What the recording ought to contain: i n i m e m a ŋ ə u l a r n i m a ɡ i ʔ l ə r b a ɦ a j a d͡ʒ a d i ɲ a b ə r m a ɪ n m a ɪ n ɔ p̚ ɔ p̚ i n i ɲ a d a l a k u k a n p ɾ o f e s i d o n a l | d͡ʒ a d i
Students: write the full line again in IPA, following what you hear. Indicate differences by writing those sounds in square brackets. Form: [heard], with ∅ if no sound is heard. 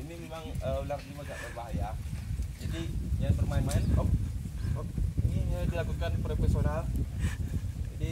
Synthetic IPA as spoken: i n i m e m a ŋ ə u l a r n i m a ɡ [a] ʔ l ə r b a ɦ a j a d͡ʒ a d i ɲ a b ə r m a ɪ n m a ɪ n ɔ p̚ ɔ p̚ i n i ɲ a d [i] l a k u k a n p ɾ o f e s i [∅] o n a l | d͡ʒ a d i